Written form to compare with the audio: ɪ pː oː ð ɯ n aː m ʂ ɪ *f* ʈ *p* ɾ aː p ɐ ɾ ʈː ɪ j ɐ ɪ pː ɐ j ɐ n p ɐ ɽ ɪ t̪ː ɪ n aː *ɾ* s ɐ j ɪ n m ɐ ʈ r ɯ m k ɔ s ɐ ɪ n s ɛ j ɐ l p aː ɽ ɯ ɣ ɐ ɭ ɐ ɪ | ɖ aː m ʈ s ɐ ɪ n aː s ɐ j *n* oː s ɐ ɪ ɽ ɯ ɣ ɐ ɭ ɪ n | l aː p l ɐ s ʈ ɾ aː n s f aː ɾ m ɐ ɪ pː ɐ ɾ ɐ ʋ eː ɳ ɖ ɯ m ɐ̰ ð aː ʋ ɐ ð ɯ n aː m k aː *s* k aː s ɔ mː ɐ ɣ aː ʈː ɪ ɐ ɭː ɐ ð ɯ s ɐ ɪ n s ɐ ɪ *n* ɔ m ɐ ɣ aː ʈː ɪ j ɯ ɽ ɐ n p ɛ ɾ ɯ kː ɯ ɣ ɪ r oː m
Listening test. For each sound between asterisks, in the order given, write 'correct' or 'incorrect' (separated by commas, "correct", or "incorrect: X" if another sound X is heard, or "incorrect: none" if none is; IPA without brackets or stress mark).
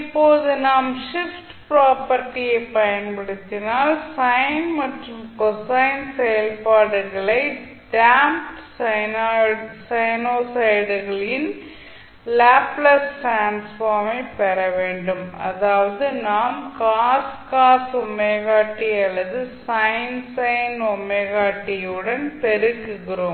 correct, correct, incorrect: l, correct, correct, correct